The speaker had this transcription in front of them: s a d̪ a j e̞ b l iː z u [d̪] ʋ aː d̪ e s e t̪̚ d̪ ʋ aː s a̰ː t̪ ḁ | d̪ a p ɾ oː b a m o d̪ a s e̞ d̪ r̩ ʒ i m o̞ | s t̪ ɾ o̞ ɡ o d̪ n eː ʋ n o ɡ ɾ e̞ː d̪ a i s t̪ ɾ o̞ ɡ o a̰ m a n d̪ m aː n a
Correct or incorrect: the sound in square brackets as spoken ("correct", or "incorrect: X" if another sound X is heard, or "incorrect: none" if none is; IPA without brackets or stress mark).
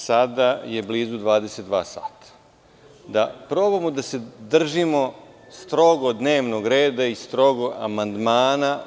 correct